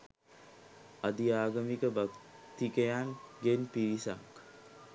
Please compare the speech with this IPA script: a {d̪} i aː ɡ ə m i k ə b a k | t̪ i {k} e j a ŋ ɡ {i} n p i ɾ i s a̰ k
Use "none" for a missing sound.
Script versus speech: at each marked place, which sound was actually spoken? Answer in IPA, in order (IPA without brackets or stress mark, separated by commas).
d̪, k, e